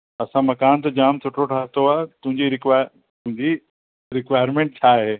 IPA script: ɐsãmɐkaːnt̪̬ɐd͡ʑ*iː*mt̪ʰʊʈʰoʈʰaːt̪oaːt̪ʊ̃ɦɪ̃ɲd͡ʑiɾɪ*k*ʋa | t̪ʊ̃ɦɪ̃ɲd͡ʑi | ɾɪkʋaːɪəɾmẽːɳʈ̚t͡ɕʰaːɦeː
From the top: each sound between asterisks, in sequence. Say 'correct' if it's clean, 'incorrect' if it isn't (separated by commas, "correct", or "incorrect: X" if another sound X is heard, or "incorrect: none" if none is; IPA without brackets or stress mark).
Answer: incorrect: aː, correct